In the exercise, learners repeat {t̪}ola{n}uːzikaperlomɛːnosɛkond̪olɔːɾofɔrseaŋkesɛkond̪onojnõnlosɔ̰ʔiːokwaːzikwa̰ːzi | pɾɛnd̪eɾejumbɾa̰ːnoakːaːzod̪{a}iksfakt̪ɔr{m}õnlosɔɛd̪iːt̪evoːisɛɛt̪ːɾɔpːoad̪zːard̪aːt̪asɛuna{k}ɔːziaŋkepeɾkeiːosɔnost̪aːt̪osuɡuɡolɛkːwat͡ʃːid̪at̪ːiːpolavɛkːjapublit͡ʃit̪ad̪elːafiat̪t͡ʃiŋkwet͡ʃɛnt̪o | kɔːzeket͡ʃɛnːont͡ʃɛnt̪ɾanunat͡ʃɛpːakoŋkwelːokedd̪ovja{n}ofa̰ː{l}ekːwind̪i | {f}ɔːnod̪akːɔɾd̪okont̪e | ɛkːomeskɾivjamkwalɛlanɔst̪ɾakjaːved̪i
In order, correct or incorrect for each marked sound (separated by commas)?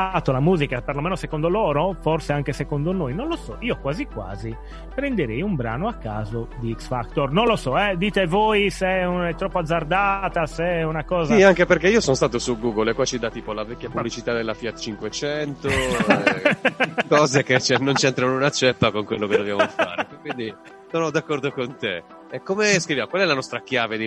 correct, incorrect, incorrect, incorrect, correct, incorrect, incorrect, incorrect